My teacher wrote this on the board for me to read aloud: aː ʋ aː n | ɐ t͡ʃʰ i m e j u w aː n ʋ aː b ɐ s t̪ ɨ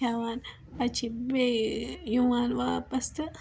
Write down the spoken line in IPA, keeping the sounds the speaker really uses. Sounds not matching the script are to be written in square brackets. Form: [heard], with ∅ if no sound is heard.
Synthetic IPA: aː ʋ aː n | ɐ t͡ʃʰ i [b] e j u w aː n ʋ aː [p] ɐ s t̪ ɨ